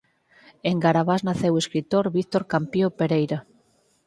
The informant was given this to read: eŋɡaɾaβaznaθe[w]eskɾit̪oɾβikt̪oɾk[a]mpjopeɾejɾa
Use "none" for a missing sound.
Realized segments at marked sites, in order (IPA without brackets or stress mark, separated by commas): w, a